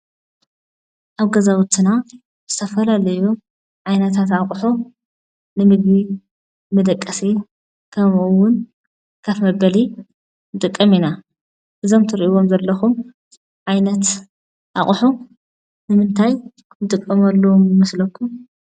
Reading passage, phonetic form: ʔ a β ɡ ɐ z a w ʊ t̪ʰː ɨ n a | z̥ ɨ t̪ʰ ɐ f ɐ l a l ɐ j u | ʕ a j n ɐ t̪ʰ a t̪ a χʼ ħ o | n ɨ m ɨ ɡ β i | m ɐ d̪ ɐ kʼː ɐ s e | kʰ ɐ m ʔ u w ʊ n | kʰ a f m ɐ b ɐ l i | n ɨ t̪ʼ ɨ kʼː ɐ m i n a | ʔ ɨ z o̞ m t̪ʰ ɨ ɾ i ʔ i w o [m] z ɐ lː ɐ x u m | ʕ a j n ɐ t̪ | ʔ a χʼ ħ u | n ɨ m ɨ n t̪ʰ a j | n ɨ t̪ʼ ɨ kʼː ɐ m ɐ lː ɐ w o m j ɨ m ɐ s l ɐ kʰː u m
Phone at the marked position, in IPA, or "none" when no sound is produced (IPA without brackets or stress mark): m